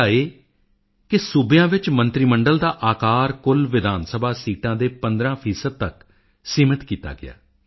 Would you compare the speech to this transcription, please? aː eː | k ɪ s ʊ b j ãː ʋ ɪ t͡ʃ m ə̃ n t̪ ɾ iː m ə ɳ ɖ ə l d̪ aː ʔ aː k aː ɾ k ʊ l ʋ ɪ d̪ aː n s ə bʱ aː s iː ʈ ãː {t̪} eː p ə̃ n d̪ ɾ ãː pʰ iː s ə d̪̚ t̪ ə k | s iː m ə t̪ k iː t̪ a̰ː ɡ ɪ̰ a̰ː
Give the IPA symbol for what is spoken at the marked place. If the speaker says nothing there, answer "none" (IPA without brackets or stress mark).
d̪